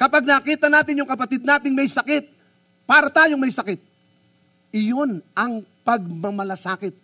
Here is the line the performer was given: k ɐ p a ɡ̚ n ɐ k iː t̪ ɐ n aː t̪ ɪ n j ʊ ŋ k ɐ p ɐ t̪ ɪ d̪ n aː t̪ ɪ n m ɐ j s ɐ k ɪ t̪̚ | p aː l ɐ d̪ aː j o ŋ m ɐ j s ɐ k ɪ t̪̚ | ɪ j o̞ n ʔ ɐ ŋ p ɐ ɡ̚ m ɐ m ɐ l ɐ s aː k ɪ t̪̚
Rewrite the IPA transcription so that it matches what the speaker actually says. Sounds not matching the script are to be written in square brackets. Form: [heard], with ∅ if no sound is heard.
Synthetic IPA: k ɐ p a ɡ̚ n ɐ k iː t̪ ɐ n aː t̪ ɪ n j ʊ ŋ k ɐ p ɐ t̪ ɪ d̪ n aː t̪ ɪ [ŋ] m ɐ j s ɐ k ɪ t̪̚ | p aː [ɾ] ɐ [t̪] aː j o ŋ m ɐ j s ɐ k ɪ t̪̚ | ɪ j o̞ n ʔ ɐ ŋ p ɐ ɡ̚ m ɐ m ɐ l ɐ s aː k ɪ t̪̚